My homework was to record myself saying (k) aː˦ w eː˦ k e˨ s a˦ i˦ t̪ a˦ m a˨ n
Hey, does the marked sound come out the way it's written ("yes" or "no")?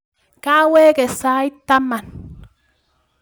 yes